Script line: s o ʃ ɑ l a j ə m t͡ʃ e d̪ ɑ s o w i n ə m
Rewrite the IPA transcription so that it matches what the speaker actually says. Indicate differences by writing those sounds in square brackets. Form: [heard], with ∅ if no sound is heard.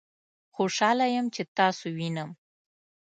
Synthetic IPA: [x] o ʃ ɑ l a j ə m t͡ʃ e [t̪] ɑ s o w i n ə m